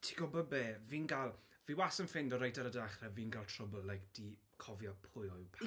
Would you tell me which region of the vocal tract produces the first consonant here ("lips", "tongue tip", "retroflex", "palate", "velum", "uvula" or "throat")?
tongue tip